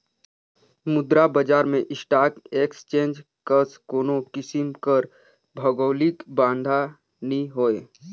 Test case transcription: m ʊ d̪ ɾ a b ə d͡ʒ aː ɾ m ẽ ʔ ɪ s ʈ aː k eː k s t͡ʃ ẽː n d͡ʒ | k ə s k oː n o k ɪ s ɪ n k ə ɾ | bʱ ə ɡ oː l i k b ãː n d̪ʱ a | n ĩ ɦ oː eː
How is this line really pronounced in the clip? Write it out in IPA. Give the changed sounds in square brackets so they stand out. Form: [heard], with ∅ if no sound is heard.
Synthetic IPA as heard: m ʊ d̪ ɾ a b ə d͡ʒ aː ɾ m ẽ ʔ ɪ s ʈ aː k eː k s t͡ʃ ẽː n d͡ʒ | k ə s k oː n o k ɪ s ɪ [m] k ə ɾ | bʱ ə ɡ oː l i k b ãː n d̪ʱ a | n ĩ ɦ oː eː